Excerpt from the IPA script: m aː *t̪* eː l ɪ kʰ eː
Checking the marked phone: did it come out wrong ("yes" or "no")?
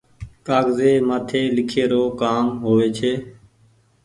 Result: yes